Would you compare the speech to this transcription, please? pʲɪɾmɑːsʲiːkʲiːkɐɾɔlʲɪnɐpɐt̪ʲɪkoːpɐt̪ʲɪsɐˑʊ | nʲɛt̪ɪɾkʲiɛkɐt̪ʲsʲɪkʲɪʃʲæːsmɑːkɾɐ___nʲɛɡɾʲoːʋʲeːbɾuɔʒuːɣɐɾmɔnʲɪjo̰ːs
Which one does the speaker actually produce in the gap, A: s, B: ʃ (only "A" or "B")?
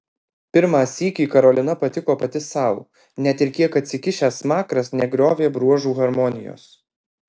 A